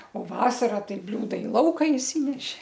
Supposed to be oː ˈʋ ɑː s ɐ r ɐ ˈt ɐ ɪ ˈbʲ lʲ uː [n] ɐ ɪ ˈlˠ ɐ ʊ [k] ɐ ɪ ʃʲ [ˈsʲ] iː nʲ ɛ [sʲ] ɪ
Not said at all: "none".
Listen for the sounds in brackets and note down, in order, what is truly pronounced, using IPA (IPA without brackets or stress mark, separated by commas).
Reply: d, k, sʲ, ʃʲ